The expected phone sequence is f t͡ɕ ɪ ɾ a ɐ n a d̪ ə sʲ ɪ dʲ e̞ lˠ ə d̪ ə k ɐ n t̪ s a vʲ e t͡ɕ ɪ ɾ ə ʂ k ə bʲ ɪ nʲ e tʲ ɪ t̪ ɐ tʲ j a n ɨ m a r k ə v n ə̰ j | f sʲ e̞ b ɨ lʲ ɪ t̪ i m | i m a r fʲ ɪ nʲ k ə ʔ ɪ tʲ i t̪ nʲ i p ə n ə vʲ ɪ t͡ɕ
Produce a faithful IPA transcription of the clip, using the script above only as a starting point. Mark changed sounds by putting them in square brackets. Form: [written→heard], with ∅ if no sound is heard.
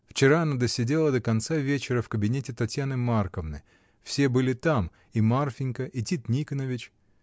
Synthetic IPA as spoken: f t͡ɕ ɪ ɾ a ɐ n a d̪ ə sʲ ɪ dʲ e̞ lˠ ə d̪ ə k ɐ n t̪ s a vʲ e t͡ɕ ɪ ɾ ə [ʂ→f] k ə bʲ ɪ nʲ e tʲ ɪ t̪ ɐ tʲ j a n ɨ m a r k ə v n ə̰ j | f sʲ e̞ b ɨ lʲ ɪ t̪ [i→a] m | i m a r fʲ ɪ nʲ k ə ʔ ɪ tʲ i t̪ nʲ i [p→k] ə n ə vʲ ɪ t͡ɕ